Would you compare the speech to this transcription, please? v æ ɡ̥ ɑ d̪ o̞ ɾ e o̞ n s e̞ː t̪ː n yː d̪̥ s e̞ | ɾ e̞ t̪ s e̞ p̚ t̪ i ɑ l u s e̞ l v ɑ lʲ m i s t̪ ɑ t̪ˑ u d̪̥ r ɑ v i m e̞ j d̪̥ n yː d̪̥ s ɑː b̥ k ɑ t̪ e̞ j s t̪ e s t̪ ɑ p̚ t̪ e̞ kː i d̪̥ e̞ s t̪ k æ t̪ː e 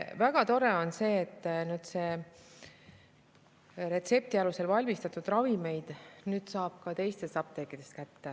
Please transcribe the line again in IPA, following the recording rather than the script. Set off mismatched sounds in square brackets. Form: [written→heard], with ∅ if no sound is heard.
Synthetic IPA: v æ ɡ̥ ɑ [d̪→t̪] o̞ ɾ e o̞ n s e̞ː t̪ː n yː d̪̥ s e̞ | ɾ e̞ t̪ s e̞ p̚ t̪ i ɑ l u s e̞ l v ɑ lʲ m i s t̪ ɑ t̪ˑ u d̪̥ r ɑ v i m e̞ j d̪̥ n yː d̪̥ s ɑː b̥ k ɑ t̪ e̞ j s t̪ e s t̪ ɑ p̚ t̪ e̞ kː i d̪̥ e̞ s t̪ k æ t̪ː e

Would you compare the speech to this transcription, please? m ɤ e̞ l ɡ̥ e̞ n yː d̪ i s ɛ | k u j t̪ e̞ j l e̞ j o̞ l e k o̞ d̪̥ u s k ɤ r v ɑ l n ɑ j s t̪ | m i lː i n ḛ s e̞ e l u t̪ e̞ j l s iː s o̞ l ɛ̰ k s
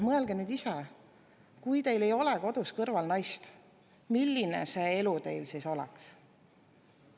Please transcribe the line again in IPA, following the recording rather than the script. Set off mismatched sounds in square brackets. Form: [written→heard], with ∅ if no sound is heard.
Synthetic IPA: m ɤ e̞ l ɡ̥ e̞ n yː d̪ i s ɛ | k u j t̪ e̞ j l e̞ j o̞ l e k o̞ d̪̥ u s k ɤ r v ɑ l n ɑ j s t̪ | m i lː i n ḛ s e̞ e l u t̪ e̞ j l s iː s o̞ l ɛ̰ k s

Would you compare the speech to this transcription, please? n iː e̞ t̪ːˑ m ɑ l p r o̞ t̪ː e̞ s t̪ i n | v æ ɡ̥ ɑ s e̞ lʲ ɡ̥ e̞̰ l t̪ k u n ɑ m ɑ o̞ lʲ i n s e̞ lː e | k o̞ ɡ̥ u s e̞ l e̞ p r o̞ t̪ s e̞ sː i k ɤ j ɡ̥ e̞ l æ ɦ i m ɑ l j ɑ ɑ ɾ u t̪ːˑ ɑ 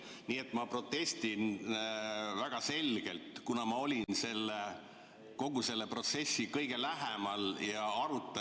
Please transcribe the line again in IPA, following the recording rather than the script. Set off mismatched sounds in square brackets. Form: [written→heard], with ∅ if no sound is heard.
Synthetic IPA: n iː e̞ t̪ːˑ m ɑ [l→∅] p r o̞ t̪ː e̞ s t̪ i n | v æ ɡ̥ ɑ s e̞ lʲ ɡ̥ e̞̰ l t̪ k u n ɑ m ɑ o̞ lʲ i n s e̞ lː e | k o̞ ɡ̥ u s e̞ [l→lː] e̞ p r o̞ t̪ s e̞ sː i k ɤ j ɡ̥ e̞ l æ ɦ [i→e] m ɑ l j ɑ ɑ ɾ u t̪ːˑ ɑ

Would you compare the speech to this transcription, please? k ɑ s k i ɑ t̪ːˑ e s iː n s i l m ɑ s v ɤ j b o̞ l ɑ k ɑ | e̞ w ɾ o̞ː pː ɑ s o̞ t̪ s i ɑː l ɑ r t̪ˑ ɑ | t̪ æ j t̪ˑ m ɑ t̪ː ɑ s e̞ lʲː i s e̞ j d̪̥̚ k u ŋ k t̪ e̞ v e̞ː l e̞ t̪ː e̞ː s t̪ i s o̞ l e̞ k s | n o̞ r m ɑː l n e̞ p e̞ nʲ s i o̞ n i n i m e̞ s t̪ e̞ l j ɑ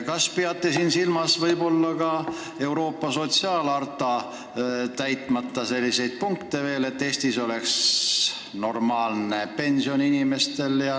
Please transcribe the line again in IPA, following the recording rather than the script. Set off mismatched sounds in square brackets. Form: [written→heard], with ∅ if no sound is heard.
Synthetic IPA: k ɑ s [k→p] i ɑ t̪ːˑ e s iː n s i l m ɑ s v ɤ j b o̞ [l→lː] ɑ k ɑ | e̞ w ɾ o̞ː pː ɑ s o̞ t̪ s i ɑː l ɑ r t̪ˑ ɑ | t̪ æ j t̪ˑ m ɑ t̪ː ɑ s e̞ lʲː i s e̞ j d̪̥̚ [k→p] u ŋ k t̪ e̞ v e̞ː l e̞ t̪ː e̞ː s t̪ i s o̞ l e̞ k s | n o̞ r m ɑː l n e̞ p e̞ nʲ s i o̞ n i n i m e̞ s t̪ e̞ l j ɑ

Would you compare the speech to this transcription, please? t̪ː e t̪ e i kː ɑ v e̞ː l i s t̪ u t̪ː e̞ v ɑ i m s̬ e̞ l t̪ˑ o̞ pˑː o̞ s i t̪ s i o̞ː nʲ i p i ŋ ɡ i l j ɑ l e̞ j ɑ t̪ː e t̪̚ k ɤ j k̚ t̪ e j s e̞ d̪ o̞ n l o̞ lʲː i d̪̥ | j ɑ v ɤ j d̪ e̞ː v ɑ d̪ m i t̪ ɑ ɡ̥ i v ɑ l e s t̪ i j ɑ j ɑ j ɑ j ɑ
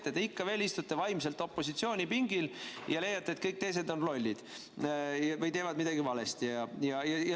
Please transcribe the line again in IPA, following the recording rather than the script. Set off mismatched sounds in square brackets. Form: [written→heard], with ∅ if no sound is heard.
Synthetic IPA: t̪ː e t̪ e i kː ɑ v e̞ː l i s t̪ u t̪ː e̞ v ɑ [i→j] m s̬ e̞ l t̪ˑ o̞ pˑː o̞ s i t̪ s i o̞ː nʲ i p i ŋ ɡ i l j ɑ l e̞ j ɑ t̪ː e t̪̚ k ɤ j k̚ t̪ e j s e̞ d̪ o̞ n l o̞ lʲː i d̪̥ | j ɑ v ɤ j [d̪→t̪] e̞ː v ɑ d̪ m i [t̪→d̪] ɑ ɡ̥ i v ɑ l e s t̪ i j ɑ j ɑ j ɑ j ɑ

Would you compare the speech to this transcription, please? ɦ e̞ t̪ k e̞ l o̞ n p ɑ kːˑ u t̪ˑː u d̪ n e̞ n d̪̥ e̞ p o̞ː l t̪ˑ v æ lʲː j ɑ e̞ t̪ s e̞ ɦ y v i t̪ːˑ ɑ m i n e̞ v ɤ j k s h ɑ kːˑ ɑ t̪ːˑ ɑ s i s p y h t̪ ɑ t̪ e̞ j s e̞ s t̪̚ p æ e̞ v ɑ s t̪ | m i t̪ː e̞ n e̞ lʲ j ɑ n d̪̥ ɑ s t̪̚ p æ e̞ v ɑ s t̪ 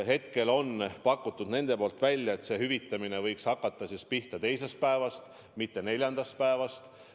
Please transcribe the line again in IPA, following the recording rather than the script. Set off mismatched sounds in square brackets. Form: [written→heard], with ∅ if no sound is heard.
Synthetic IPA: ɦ e̞ t̪ k e̞ l o̞ n p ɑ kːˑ u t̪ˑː u d̪ n e̞ n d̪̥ e̞ p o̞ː l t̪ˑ v æ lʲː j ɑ e̞ t̪ s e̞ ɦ y v i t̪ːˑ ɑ m i n e̞ v ɤ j k s h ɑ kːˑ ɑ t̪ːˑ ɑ s i s p [y→i] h t̪ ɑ t̪ e̞ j s e̞ s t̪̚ p æ e̞ v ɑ s t̪ | m i t̪ː e̞ n e̞ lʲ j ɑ n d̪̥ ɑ s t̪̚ p æ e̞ v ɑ s t̪

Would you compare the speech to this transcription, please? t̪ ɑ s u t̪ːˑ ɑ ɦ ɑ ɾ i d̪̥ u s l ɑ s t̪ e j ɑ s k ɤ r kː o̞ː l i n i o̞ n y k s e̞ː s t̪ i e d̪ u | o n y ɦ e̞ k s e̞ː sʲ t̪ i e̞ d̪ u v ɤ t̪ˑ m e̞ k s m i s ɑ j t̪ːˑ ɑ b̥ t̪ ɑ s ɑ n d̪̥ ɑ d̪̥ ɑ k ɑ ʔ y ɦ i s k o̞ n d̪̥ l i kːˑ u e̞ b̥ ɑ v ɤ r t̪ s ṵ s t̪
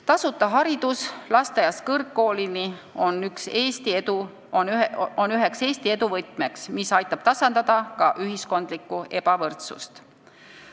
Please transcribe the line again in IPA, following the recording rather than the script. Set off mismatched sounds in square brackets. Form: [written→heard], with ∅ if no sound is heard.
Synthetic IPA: t̪ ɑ s u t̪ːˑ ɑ ɦ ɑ ɾ i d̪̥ u s l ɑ s t̪ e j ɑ s k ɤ r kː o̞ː l i n i o̞ n y k s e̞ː s t̪ i e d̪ u | o n y ɦ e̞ k s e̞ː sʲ t̪ i e̞ d̪ u v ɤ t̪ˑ m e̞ k s m i s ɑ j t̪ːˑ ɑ b̥ t̪ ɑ s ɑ n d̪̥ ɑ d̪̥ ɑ k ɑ ʔ y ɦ i s k o̞ n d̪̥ l i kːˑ u e̞ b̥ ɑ v ɤ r t̪ s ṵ s t̪

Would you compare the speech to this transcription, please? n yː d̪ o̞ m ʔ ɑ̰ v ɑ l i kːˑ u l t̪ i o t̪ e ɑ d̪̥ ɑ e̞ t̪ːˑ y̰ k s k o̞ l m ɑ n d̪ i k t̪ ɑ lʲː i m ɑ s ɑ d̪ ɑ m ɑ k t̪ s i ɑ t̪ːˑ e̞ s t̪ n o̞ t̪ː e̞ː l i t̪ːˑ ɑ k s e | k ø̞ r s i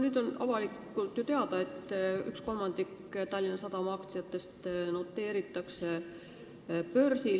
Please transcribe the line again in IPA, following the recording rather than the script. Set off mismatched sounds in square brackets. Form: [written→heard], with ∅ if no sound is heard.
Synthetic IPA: n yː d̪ o̞ [m→n] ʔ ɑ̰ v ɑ l i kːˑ u l t̪ [i→j] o t̪ e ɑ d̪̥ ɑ e̞ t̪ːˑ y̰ k s k o̞ l m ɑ n d̪ i k t̪ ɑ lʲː i [m→n] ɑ s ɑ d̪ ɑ m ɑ k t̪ s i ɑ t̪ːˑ e̞ s t̪ n o̞ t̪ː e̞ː [l→ɾ] i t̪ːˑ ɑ k s e | [k→p] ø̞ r s i

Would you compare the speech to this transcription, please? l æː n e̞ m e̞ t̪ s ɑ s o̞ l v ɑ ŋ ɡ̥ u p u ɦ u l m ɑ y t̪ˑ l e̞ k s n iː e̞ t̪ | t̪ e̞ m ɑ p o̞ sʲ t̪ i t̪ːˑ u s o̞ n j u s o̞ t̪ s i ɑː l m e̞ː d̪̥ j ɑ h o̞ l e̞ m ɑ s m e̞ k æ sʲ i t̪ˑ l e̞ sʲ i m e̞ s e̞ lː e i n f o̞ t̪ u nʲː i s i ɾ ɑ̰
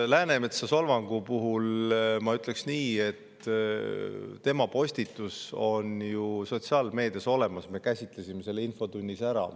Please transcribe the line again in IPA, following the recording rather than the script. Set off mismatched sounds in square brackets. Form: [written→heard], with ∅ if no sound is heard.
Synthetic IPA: l æː n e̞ m e̞ t̪ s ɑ s o̞ l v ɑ ŋ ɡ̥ u p u ɦ u l m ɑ y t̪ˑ l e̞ k s n iː e̞ t̪ | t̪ e̞ m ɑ p o̞ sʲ t̪ i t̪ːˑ u s o̞ n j u s o̞ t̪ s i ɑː l m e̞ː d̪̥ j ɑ [h→s] o̞ l e̞ m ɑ s m e̞ k æ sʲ i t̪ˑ l e̞ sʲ i m e̞ s e̞ lː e i n f o̞ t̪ u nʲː i s [i→æ] ɾ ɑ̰

